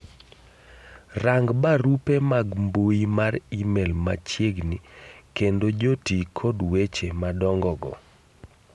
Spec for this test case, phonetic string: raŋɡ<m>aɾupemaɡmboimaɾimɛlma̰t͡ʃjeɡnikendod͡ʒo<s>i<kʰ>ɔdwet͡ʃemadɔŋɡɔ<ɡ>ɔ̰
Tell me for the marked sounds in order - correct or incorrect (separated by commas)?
incorrect, incorrect, correct, correct